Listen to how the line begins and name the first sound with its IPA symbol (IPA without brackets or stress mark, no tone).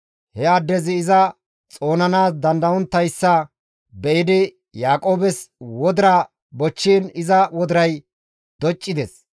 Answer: h